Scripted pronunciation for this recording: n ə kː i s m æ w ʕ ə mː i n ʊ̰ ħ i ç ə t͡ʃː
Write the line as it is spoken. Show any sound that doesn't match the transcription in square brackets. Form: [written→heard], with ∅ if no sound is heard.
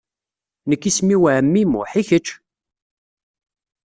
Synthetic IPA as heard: n ə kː i s m [æ→i] w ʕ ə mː i [n→m] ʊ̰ ħ i ç ə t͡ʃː